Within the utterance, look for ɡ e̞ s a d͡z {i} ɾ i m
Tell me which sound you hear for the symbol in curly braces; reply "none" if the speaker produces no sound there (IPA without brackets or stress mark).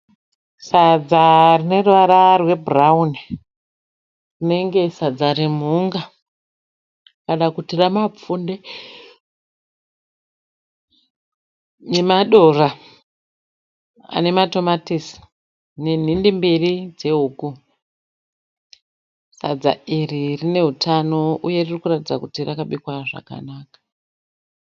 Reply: a